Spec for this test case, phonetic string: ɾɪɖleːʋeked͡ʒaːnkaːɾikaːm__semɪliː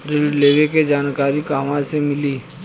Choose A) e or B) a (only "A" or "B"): B